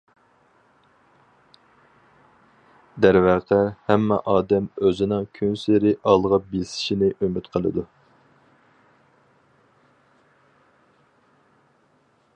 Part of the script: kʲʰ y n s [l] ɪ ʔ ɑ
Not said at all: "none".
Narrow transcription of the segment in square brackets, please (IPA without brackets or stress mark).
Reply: ɾ